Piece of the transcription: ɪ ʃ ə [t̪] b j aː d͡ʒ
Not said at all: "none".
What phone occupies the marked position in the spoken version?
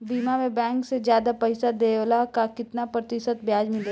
t̪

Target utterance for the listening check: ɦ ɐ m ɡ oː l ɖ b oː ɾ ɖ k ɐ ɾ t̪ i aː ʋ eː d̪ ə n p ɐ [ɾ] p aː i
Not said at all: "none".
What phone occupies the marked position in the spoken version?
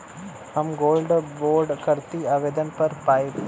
ɾ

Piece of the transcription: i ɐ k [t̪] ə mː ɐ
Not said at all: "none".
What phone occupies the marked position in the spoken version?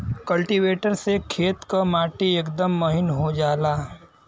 d̪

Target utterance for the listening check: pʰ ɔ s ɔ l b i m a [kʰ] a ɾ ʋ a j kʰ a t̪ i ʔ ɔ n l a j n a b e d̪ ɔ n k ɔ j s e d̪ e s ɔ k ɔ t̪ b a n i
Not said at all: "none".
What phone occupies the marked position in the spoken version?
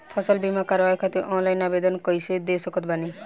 k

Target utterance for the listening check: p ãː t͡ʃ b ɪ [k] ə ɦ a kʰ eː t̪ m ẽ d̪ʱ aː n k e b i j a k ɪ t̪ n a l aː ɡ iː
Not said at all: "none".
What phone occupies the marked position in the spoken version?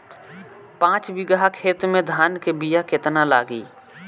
ɡ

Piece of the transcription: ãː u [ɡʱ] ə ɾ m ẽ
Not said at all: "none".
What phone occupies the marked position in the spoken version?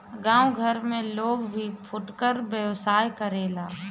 ɡʱ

